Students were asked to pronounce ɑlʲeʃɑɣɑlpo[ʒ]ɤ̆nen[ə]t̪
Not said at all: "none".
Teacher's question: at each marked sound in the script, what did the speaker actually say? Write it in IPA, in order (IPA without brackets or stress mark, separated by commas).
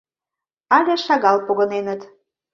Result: ɣ, ə